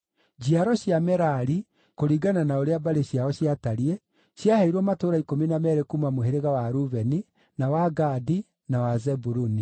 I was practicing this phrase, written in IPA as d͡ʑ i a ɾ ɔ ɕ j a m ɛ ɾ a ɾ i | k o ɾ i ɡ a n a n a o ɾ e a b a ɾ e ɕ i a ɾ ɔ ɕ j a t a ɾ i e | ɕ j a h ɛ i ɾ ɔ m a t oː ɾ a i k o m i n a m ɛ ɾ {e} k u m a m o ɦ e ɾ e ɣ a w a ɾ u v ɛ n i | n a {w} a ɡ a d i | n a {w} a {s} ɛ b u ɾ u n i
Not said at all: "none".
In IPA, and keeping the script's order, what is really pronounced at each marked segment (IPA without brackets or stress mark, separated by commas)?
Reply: e, w, w, z